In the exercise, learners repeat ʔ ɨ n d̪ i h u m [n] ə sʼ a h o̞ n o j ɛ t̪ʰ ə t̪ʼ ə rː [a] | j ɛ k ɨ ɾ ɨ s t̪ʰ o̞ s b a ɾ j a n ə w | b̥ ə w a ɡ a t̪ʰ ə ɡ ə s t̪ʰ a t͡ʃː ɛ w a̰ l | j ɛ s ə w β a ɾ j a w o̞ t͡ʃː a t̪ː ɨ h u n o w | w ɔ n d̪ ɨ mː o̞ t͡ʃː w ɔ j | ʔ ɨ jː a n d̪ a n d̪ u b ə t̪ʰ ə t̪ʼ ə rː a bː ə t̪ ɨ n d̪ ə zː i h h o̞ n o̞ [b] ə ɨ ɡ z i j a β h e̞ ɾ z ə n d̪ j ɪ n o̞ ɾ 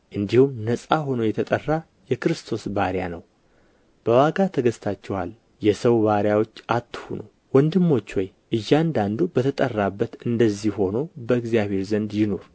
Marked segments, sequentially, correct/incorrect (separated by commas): correct, correct, correct